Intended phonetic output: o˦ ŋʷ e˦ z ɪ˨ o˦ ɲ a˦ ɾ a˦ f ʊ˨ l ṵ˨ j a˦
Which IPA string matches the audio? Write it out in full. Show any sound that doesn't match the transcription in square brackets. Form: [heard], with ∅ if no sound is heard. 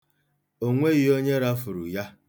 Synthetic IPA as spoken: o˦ ŋʷ e˦ [ɣ] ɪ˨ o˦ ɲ [e˦] ɾ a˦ f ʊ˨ [ɾ] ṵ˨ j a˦

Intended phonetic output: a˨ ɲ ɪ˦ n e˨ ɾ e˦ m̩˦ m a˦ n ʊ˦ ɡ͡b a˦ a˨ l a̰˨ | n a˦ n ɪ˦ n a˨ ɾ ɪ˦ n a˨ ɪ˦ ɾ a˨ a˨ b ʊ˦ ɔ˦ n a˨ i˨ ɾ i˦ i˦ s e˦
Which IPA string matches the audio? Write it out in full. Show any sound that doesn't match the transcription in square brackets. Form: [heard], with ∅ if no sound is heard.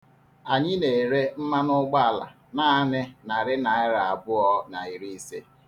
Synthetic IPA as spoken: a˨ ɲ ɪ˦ n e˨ ɾ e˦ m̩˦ m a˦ n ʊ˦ ɡ͡b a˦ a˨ l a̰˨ | n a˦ n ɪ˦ n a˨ ɾ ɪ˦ n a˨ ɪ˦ ɾ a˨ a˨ b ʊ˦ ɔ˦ n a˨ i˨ ɾ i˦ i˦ s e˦

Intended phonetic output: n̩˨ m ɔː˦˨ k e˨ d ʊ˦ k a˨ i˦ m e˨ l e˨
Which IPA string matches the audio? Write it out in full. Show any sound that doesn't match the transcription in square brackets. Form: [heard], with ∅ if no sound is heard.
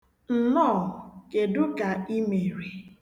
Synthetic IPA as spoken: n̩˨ [n] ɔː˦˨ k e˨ d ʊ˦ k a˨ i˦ m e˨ [ɾ] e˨

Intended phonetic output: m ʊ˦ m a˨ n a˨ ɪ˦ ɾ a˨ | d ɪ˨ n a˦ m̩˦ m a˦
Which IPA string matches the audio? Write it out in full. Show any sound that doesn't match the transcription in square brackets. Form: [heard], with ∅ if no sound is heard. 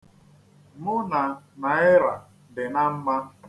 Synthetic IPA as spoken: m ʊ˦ [n] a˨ n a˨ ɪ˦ ɾ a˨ | d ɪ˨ n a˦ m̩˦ m a˦

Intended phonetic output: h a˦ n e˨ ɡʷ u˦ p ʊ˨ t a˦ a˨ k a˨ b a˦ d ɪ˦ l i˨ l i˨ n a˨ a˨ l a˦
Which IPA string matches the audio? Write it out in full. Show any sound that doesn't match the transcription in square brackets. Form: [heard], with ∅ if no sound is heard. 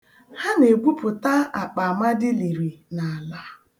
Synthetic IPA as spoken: h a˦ n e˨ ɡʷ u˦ p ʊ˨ t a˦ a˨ [k͡p] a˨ [m] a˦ d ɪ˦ l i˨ [ɾ] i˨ n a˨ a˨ l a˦

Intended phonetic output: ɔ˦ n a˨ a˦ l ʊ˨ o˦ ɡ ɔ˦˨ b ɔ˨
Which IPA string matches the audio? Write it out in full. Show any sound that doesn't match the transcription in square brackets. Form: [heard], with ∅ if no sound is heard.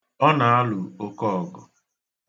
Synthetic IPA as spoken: ɔ˦ n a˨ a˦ l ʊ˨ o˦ [k] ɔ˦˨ [ɡ] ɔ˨

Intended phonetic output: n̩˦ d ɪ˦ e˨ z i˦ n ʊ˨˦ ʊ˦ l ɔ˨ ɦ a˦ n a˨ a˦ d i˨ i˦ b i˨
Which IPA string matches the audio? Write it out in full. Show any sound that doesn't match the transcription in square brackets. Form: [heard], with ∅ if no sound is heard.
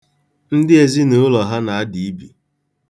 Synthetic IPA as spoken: n̩˦ d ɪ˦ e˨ z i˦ n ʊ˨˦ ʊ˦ l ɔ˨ ɦ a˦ n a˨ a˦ d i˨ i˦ b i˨

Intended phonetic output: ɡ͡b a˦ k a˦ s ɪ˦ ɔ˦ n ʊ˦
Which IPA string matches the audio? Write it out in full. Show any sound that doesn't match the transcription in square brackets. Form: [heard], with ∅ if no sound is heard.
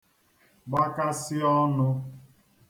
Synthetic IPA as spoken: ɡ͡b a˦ k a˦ s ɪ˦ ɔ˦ n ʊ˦

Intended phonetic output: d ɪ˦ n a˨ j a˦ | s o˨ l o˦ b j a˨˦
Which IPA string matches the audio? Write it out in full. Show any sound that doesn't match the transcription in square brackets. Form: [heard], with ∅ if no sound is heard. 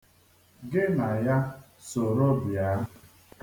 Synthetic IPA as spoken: [ɡ] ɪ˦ n a˨ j a˦ | s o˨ [ɾ] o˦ b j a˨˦

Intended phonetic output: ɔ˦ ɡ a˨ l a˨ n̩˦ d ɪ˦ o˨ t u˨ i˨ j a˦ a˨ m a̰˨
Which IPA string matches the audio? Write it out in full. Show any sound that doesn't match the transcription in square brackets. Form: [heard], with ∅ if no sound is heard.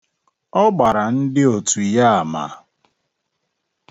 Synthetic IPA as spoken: ɔ˦ [ɡ͡b] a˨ [ɾ] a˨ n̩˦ d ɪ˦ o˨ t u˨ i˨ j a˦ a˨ m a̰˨

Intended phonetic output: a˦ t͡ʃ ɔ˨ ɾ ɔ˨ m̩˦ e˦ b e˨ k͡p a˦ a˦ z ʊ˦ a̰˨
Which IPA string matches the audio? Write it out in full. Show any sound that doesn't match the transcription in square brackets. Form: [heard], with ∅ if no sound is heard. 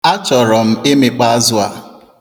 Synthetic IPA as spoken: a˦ t͡ʃ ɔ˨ ɾ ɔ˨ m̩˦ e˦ [m] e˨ k͡p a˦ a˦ z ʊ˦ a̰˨

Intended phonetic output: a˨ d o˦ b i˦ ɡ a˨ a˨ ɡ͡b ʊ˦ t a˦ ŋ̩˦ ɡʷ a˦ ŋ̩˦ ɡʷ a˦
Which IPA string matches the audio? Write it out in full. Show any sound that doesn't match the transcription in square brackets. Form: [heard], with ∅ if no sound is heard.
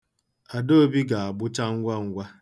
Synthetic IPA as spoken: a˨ d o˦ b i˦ ɡ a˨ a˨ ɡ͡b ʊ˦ [t͡ʃ] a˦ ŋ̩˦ ɡʷ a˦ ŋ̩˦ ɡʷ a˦

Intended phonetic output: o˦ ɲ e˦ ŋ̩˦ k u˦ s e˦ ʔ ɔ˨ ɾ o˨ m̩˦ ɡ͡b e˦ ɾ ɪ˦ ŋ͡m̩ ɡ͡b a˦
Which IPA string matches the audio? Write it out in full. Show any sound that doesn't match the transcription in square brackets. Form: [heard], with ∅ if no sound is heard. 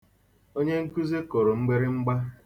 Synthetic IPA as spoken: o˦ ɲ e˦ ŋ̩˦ k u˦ [z] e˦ [k] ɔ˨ ɾ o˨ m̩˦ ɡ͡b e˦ ɾ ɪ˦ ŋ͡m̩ ɡ͡b a˦

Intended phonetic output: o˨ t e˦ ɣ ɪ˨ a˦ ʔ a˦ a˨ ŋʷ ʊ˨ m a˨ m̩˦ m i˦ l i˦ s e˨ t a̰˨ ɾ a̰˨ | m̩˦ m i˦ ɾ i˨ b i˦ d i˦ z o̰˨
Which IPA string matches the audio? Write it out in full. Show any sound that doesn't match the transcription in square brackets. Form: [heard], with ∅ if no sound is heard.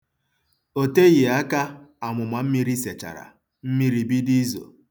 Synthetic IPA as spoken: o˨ t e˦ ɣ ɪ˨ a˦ [k] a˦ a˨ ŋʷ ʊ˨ m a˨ m̩˦ m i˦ [ɾ] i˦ s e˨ [t͡ʃ] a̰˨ ɾ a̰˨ | m̩˦ m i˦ ɾ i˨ b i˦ d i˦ z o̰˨

